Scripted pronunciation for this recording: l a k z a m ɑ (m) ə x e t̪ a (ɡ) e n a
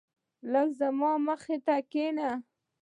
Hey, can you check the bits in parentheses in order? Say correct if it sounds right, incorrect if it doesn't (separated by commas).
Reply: correct, incorrect